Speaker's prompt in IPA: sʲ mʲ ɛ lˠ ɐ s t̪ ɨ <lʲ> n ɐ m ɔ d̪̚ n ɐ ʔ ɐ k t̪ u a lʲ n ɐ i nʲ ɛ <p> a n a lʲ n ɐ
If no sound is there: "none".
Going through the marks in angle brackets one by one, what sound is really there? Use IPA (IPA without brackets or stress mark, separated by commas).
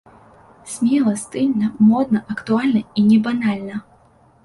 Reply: lʲ, b